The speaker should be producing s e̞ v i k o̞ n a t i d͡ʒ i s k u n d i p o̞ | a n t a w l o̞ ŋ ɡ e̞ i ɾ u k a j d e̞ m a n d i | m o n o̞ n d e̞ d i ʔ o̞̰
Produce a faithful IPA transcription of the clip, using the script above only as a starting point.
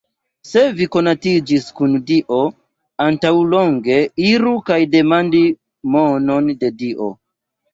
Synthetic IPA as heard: s e̞ v i k o̞ n a t i d͡ʒ i s k u n d i ʔ o̞ | a n t a w l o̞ ŋ ɡ e̞ i ɾ u k a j d e̞ m a n d i | m o n o̞ n d e̞ d i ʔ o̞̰